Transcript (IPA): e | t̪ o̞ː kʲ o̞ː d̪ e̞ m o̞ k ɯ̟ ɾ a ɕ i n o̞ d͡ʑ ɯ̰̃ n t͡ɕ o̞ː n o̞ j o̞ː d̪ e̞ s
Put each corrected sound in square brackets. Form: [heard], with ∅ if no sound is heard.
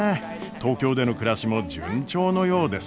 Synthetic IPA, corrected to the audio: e | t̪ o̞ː kʲ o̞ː d̪ e̞ [n] o̞ k ɯ̟ ɾ a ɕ i [m] o̞ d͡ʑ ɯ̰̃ [ɲ] t͡ɕ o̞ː n o̞ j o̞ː d̪ e̞ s